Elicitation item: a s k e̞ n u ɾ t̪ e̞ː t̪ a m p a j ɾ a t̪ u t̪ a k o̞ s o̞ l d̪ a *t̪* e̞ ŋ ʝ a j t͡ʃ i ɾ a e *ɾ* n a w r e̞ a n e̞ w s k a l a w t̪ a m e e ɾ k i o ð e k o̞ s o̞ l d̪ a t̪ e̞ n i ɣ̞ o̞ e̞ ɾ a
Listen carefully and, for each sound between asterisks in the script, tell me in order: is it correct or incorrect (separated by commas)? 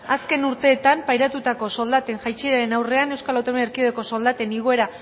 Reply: correct, incorrect